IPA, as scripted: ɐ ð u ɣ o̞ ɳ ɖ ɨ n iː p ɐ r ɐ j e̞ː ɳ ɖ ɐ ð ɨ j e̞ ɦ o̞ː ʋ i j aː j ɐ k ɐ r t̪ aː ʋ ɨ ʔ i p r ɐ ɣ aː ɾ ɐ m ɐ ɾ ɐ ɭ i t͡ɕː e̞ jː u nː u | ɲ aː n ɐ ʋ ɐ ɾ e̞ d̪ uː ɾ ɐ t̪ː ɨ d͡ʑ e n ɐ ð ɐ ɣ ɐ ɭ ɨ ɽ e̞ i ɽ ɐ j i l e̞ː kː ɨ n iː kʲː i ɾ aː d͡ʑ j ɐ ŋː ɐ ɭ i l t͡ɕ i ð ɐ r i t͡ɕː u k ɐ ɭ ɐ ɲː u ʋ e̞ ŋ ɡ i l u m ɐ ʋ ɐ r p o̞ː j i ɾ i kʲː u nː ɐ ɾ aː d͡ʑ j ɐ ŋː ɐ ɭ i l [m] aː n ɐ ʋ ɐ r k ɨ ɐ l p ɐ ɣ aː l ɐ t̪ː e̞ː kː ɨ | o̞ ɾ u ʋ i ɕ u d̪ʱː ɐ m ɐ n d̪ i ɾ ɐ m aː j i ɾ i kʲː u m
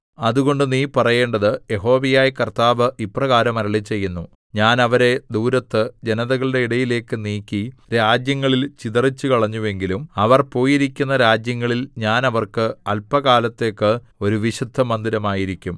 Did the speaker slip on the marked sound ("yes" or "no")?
yes